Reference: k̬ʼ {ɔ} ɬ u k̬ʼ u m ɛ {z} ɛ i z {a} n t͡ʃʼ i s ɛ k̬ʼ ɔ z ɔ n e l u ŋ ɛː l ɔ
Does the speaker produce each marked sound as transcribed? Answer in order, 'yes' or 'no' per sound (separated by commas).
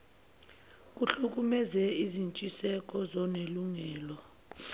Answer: no, yes, no